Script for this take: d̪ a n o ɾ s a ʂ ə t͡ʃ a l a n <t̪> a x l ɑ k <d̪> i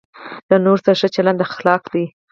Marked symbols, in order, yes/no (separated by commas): no, yes